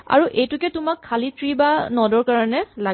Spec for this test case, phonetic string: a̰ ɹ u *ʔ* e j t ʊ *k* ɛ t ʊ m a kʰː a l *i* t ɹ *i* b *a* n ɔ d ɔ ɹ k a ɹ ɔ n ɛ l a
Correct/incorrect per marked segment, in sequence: correct, correct, correct, correct, correct

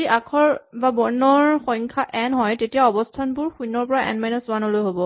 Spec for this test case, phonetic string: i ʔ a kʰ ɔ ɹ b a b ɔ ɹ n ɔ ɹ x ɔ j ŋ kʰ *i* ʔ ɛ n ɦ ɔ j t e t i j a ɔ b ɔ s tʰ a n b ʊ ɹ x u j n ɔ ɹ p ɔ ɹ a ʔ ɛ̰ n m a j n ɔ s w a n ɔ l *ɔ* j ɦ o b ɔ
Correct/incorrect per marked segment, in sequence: incorrect: a, incorrect: o

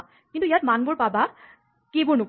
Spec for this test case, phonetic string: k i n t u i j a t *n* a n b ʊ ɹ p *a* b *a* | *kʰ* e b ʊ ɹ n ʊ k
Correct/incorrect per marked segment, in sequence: incorrect: m, correct, correct, incorrect: k

